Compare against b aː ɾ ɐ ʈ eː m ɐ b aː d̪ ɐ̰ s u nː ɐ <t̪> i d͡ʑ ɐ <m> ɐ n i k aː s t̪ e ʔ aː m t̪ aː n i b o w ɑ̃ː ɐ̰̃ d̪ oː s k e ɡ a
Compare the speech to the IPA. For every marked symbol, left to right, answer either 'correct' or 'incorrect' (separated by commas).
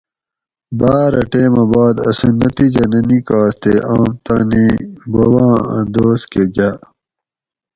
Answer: correct, incorrect